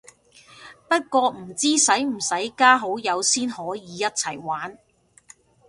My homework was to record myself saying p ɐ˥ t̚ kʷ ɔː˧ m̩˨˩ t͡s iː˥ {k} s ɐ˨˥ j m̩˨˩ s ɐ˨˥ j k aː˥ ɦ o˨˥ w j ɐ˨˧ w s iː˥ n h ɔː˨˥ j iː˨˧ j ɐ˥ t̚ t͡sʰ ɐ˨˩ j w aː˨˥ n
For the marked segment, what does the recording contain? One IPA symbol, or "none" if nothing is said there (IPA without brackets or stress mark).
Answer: none